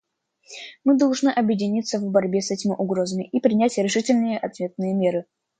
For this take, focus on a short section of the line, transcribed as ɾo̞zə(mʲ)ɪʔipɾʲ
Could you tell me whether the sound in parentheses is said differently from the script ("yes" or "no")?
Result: no